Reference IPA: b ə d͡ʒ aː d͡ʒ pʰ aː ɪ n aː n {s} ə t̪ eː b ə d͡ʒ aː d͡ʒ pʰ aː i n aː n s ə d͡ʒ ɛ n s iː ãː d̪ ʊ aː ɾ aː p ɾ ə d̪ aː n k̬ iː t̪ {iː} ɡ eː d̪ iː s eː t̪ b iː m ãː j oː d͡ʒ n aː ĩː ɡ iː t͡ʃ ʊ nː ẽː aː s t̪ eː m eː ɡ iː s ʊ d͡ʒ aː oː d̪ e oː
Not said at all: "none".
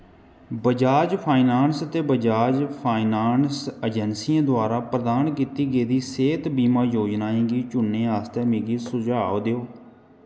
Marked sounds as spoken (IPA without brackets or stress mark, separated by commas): s, iː